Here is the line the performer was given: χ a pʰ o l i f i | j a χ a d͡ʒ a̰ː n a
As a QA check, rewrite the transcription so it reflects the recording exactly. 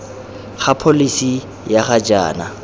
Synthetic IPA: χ a pʰ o l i s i | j a χ a d͡ʒ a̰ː n a

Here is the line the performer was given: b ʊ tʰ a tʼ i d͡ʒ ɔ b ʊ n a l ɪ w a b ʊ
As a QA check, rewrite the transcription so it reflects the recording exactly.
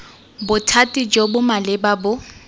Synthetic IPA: b ʊ tʰ a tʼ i d͡ʒ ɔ b ʊ m a l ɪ b a b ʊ

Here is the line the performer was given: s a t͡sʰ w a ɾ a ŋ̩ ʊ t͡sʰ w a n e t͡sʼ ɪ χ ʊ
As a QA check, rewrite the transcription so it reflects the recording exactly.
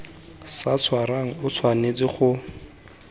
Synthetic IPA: s a t͡sʰ w a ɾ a ŋ̩ ʊ t͡sʰ w a n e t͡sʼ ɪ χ ʊ

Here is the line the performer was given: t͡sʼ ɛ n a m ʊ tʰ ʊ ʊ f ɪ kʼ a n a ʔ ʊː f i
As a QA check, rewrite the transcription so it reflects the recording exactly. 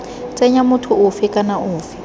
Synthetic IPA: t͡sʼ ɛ ɲ a m ʊ tʰ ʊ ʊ f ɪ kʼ a n a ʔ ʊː f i

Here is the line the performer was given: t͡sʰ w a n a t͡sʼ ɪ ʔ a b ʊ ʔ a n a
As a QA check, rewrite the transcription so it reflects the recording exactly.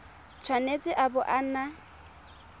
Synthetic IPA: t͡sʰ w a n e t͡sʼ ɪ ʔ a b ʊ ʔ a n a

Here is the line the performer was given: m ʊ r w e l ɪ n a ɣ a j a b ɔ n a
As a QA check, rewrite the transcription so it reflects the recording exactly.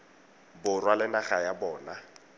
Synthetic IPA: b ʊ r w a l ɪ n a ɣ a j a b ɔː n a

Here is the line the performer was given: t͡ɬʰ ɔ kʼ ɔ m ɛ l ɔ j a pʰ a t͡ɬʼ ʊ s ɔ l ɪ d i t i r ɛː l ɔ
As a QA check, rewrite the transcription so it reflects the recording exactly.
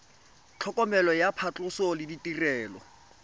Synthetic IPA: t͡ɬʰ ɔ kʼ ɔ m ɛ l ɔ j a pʰ a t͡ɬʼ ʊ s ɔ l ɪ d i t i r ɛː l ɔ

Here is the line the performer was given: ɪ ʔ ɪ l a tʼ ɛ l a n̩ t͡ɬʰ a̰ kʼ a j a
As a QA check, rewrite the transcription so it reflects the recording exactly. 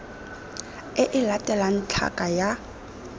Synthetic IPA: ɪ ʔ ɪ l a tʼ ɛ l a n̩ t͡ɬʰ a̰ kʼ a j a

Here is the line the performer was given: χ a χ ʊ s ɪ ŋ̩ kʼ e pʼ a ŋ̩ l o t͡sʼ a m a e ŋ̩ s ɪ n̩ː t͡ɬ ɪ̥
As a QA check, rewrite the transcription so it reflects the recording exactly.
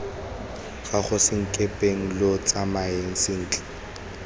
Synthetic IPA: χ a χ ʊ s ɪ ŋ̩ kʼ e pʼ e ŋ̩ l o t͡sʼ a m a e ŋ̩ s ɪ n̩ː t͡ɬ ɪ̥

